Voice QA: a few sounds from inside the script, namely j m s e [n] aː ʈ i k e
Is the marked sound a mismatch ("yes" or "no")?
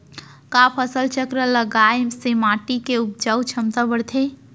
yes